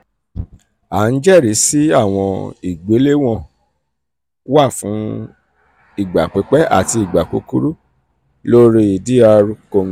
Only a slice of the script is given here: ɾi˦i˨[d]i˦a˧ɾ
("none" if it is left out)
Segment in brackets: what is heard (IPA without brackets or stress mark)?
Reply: d